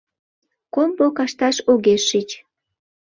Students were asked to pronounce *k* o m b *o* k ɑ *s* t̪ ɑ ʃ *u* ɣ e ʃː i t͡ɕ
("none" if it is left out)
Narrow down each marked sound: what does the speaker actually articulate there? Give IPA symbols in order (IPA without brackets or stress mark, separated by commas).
k, o, ʃ, o